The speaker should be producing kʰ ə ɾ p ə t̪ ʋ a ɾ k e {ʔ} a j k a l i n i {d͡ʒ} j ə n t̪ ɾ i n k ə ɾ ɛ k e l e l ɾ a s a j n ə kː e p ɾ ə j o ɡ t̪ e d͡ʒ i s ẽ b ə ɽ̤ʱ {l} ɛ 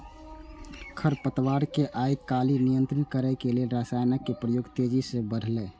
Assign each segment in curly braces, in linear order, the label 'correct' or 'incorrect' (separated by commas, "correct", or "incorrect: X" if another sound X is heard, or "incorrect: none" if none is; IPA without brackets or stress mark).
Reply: correct, incorrect: none, correct